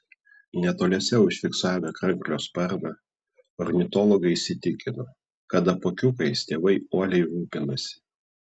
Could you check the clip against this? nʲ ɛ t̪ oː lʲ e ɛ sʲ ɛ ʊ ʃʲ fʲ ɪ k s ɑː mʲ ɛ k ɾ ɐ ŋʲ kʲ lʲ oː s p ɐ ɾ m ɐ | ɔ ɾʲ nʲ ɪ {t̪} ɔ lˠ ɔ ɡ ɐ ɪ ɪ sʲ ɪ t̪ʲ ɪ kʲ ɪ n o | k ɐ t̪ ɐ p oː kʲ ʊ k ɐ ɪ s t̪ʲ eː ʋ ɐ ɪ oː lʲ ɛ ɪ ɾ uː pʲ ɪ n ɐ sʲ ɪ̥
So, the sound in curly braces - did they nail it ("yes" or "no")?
yes